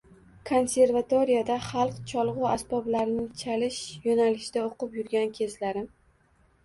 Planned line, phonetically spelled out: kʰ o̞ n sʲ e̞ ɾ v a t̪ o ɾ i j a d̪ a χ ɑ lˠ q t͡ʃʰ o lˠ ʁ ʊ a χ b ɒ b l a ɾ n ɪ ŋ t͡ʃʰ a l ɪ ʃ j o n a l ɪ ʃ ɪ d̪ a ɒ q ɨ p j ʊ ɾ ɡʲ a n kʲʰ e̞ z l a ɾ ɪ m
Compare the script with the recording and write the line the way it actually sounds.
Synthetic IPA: kʰ o̞ n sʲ e̞ ɾ v a t̪ o ɾ i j a d̪ a χ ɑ lˠ q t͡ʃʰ ɒ lˠ ʁ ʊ a s b ɒ b l a ɾ n ɪ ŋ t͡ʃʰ a l ɪ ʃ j o n a l ɪ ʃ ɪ d̪ a o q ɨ p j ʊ ɾ ɡʲ a n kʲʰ e̞ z l a ɾ ɪ m